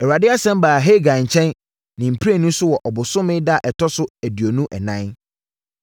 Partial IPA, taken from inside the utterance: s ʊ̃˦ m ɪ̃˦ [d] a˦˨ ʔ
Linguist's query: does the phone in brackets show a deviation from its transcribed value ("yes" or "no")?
no